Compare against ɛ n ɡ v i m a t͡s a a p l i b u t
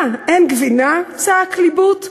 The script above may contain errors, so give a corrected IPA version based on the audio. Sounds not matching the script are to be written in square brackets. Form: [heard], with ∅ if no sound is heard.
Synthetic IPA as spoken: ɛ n ɡ v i [n] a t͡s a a [k] l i b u t